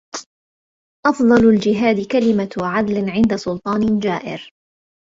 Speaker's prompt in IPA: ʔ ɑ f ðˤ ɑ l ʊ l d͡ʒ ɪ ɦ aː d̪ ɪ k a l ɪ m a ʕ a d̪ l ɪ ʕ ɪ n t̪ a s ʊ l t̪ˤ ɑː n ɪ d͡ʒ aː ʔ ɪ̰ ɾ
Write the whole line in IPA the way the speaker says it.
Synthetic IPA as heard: ʔ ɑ f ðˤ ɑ l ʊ l d͡ʒ ɪ ɦ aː d̪ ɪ k a l ɪ m a ʕ a d̪ l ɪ ʕ ɪ n d̪ a s ʊ l t̪ˤ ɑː n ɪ d͡ʒ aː ʔ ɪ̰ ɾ